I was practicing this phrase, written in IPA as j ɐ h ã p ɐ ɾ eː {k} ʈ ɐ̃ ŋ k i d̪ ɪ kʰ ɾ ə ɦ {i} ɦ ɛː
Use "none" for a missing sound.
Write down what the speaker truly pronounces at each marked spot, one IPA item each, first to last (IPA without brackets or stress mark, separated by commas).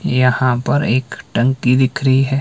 k, i